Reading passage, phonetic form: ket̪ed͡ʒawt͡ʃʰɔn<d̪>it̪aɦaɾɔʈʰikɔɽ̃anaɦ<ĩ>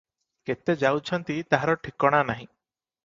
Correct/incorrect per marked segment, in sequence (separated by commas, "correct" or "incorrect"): incorrect, correct